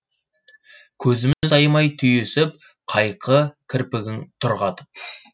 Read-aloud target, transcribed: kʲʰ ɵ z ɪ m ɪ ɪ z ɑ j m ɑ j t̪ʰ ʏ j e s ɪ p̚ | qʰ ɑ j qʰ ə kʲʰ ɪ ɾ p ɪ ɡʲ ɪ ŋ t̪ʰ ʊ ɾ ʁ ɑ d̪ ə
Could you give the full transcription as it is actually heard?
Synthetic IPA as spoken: kʲʰ ɵ z ɪ m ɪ ɪ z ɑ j m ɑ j t̪ʰ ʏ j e s ɪ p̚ | qʰ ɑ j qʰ ə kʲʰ ɪ ɾ p ɪ ɡʲ ɪ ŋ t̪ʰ ʊ ɾ ʁ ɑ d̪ ə